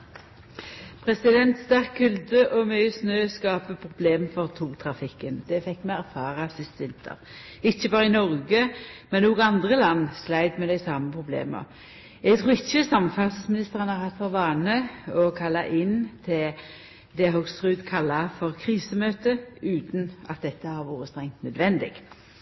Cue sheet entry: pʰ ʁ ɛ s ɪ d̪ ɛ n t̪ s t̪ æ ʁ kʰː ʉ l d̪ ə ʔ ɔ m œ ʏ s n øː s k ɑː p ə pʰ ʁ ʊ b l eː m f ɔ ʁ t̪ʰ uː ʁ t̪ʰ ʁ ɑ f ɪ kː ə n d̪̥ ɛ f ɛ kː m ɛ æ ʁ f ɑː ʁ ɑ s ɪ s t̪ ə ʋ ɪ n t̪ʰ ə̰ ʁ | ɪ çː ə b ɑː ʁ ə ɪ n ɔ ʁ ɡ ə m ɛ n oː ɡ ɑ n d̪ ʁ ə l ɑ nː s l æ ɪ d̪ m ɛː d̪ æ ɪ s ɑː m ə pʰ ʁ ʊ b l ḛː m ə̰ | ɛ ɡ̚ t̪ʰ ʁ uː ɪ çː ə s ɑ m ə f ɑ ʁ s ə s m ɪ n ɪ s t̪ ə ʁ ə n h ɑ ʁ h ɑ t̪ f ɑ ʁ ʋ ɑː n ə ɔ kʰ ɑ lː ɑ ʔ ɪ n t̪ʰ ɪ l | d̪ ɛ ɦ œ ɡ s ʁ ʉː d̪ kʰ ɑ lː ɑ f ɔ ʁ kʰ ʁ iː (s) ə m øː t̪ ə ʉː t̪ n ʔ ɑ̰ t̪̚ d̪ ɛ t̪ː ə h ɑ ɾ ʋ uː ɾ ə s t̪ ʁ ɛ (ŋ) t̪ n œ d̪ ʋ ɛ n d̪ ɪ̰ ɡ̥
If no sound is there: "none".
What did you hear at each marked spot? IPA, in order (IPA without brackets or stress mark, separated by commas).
s, ŋ